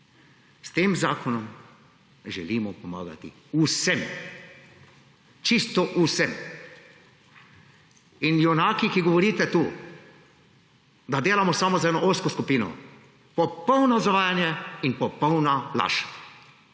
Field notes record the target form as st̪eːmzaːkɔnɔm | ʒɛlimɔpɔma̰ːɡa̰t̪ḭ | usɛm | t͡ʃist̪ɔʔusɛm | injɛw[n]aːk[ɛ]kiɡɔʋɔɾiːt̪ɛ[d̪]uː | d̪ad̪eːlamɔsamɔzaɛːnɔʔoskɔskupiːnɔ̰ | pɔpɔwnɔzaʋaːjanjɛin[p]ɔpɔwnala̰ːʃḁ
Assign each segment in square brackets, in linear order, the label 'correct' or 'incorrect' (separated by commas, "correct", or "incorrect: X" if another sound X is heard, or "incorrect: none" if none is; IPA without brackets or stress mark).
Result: correct, incorrect: i, incorrect: t̪, correct